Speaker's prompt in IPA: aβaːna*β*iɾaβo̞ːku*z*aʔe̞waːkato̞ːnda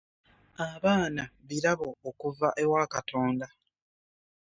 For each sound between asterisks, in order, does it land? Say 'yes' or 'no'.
yes, no

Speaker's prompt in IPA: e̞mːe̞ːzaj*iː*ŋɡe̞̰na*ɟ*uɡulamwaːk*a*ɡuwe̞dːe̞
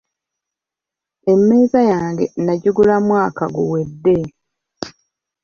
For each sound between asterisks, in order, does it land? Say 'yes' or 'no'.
no, yes, yes

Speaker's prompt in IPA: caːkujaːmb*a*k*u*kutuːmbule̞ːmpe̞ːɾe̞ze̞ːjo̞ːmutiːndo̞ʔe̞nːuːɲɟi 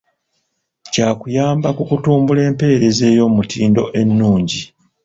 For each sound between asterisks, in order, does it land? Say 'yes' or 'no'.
yes, yes

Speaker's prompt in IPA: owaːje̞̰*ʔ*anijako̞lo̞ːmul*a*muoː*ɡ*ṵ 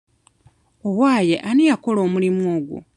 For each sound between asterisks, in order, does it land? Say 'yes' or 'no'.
yes, no, yes

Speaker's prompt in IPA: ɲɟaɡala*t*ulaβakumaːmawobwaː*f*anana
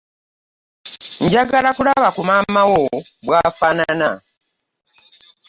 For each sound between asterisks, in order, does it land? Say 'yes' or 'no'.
no, yes

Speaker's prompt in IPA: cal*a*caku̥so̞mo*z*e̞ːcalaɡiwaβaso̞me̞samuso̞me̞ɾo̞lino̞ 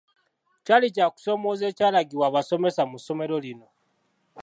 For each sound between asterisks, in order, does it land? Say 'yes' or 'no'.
no, yes

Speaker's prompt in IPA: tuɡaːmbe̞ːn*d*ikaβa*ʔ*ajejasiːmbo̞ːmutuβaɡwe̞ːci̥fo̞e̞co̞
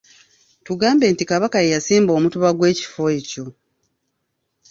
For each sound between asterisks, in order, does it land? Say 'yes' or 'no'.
no, no

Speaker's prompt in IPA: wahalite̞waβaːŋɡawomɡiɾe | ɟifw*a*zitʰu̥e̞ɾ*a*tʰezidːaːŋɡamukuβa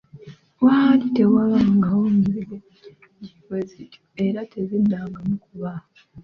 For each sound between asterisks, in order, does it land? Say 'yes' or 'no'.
no, yes

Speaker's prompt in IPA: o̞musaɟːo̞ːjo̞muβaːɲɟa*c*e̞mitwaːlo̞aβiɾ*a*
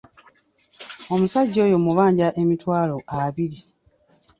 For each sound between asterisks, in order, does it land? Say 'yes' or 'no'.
no, no

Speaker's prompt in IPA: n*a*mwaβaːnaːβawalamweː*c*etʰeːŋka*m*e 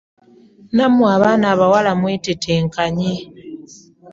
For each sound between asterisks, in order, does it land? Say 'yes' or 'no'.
yes, no, no

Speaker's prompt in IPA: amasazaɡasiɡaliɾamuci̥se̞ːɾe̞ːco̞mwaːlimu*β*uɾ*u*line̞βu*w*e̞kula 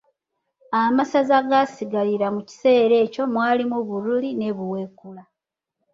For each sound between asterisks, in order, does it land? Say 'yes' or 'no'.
yes, yes, yes

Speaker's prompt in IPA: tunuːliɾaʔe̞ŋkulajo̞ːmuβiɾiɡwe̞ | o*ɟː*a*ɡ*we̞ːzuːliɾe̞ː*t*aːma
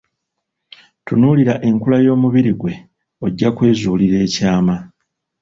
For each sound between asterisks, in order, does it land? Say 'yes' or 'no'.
yes, no, no

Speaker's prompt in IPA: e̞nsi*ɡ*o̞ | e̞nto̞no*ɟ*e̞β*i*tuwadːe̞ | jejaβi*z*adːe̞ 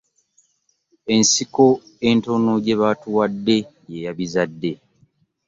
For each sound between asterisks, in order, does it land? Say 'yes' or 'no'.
no, yes, no, yes

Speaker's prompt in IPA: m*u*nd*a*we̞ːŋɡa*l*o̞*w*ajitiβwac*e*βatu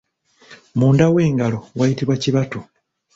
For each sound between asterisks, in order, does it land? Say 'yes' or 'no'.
no, yes, yes, yes, no

